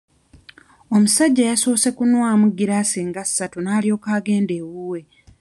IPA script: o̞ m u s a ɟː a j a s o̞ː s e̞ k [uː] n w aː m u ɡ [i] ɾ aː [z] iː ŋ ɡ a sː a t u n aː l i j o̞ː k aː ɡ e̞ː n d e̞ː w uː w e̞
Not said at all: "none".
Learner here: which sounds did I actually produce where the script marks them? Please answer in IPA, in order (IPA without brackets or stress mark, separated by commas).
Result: u, i, s